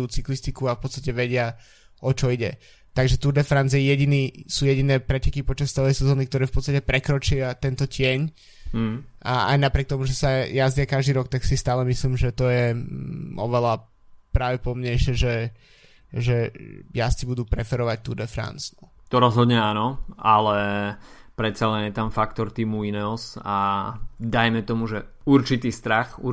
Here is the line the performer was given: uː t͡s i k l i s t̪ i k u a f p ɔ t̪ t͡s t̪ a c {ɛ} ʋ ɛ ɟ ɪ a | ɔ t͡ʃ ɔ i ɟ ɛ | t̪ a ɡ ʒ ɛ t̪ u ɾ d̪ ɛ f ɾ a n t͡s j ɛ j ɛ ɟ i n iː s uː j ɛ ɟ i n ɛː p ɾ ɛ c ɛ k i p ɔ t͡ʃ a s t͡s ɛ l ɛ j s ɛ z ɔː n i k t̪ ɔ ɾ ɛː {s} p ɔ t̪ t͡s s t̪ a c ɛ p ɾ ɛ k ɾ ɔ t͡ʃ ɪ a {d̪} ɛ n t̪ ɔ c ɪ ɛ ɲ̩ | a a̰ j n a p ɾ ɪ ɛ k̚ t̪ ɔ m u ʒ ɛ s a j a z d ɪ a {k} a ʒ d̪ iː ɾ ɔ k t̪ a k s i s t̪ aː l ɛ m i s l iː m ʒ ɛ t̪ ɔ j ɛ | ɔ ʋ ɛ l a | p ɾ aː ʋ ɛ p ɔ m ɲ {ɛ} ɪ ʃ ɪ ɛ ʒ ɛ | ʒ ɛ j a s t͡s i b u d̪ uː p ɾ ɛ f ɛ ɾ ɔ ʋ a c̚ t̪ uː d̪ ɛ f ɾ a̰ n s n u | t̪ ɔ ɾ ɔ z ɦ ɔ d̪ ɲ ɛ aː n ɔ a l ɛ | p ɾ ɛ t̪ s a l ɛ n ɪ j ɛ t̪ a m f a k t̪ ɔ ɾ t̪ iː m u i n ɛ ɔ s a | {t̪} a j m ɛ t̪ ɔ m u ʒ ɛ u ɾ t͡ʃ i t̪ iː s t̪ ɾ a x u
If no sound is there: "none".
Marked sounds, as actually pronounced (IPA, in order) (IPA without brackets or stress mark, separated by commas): ɛ, f, t̪, k, ɛ, d̪